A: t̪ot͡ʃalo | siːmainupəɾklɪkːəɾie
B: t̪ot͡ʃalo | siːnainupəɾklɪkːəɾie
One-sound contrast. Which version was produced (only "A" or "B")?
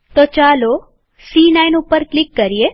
B